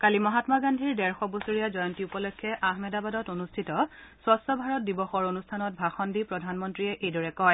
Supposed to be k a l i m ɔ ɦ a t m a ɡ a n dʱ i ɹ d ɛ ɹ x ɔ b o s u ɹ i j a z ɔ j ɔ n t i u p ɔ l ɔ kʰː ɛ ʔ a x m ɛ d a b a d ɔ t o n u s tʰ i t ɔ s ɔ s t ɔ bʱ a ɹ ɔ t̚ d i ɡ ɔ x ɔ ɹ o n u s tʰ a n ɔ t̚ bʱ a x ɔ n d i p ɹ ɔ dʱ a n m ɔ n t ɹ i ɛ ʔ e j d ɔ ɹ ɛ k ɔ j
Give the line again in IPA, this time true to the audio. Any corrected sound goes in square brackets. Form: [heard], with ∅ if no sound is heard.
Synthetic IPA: k a l i m ɔ ɦ a t m a ɡ a n dʱ i ɹ d ɛ ɹ x ɔ b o s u ɹ i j a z ɔ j ɔ n t i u p ɔ l ɔ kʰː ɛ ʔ a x m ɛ d a b a d ɔ t o n u s tʰ i t ɔ s ɔ s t ɔ bʱ a ɹ ɔ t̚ d i [b] ɔ x ɔ ɹ o n u s tʰ a n ɔ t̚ bʱ a x ɔ n d i p ɹ ɔ dʱ a n m ɔ n t ɹ i ɛ ʔ e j d ɔ ɹ ɛ k ɔ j